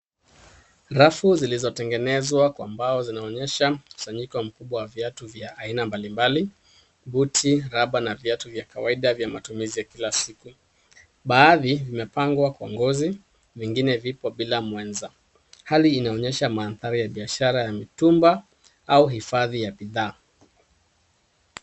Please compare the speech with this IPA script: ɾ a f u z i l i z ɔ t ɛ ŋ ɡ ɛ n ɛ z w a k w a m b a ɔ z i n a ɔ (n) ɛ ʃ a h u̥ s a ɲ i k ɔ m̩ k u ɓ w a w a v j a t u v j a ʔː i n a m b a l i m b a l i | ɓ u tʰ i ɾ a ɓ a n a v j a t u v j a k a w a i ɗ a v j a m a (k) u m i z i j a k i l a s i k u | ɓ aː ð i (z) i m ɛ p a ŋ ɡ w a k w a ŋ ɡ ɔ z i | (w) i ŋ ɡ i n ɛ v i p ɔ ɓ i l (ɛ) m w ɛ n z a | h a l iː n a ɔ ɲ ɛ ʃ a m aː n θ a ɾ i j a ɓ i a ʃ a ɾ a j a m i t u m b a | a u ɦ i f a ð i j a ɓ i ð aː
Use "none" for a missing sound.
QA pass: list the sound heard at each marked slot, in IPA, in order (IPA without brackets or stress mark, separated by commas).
ɲ, t, v, v, a